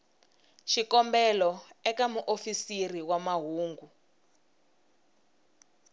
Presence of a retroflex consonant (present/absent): absent